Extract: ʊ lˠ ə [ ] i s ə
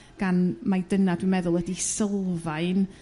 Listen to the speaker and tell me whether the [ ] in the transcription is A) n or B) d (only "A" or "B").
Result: B